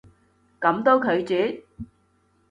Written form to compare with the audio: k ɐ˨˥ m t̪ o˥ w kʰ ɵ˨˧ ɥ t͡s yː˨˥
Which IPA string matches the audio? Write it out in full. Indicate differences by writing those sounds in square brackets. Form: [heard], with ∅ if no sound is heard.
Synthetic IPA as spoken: k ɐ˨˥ m t̪ o˥ w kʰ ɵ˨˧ ɥ t͡s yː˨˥